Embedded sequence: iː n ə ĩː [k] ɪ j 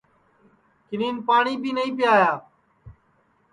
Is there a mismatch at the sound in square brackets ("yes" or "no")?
yes